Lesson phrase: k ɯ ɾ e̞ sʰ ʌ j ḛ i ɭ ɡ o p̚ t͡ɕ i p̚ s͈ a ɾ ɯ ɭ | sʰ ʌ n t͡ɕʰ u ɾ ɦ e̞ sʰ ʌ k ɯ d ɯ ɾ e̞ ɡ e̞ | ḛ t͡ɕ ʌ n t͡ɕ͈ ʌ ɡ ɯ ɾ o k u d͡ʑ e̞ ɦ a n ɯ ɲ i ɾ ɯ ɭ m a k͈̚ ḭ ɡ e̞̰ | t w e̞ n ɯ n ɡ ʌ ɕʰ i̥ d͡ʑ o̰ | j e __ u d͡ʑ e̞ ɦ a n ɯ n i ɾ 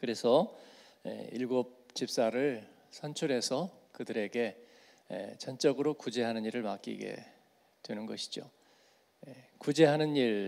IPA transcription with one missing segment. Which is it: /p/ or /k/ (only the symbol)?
k